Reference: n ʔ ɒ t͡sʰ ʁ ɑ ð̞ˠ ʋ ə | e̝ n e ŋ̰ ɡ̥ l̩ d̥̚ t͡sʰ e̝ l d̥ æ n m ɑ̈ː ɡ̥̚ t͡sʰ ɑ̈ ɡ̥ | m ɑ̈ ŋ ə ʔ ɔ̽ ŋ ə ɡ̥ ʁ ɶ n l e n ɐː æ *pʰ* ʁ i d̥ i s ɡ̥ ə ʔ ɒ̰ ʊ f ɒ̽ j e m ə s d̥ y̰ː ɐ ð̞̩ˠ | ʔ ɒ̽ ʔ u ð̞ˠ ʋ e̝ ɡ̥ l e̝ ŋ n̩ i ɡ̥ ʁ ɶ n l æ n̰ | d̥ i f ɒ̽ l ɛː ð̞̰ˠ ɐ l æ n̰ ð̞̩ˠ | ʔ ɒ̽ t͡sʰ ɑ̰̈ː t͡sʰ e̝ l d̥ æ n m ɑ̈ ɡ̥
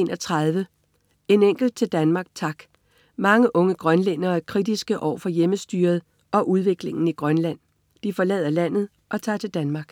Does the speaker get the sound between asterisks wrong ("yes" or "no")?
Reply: yes